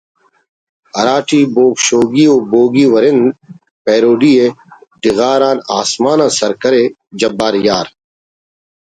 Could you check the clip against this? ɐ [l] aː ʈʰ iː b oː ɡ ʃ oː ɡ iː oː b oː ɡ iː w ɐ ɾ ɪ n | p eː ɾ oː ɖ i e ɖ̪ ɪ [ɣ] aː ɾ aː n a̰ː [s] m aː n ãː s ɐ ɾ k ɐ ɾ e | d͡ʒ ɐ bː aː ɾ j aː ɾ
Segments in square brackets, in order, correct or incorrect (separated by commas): incorrect, correct, correct